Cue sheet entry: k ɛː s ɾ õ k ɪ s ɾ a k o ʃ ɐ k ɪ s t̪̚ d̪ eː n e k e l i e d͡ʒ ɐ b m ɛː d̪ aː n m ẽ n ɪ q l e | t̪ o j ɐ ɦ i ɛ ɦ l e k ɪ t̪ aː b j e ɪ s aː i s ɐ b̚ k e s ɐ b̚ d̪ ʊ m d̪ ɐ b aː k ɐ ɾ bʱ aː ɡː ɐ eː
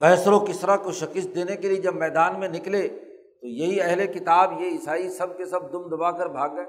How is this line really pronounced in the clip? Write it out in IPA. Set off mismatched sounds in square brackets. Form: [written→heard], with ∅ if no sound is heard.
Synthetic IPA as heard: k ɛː s ɾ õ k ɪ s ɾ a k o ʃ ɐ k ɪ s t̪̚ d̪ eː n e k e l i e d͡ʒ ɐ b m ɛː d̪ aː n m ẽ n ɪ [q→k] l e | t̪ o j ɐ ɦ i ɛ ɦ l e k ɪ t̪ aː b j e ɪ s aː i s ɐ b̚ k e s ɐ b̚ d̪ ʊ m d̪ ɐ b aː k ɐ ɾ bʱ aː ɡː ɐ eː